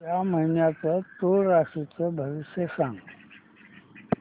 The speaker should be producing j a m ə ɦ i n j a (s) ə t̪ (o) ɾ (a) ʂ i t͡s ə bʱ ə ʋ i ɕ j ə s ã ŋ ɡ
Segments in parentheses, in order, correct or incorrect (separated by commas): incorrect, correct, correct